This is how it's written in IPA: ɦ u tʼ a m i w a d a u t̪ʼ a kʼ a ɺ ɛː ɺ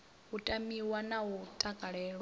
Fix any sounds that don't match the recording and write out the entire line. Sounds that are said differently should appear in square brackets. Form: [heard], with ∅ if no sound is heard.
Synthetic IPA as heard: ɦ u tʼ a m i w a [n] a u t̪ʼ a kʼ a ɺ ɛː ɺ